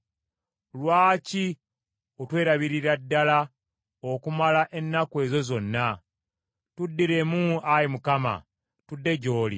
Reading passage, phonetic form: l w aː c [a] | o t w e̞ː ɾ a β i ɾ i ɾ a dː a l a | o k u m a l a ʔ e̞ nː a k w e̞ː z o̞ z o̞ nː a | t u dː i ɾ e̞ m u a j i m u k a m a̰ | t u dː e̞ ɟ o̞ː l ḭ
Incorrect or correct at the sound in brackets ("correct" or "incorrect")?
incorrect